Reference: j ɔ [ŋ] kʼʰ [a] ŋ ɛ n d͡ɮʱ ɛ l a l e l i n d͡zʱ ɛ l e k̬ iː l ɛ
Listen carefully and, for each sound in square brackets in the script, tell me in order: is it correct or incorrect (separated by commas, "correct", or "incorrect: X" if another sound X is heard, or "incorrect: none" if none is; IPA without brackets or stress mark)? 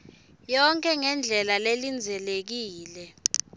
correct, incorrect: ɛ